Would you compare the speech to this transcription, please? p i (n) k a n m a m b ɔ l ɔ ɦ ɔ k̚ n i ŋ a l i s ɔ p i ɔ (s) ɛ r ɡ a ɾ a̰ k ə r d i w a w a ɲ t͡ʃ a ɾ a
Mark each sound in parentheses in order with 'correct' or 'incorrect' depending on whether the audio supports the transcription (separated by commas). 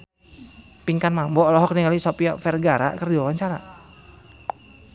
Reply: incorrect, incorrect